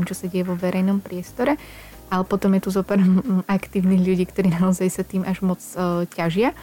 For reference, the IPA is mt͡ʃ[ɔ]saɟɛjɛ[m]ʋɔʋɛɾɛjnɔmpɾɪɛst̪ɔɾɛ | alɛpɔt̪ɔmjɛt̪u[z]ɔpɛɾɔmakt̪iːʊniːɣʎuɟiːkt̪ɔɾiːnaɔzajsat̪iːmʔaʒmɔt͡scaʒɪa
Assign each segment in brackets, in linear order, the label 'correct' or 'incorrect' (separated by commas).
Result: correct, incorrect, correct